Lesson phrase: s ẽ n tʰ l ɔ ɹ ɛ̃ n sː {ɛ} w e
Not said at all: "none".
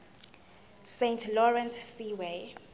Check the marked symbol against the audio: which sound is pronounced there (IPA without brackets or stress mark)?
i